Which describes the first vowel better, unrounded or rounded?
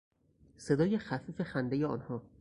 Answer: unrounded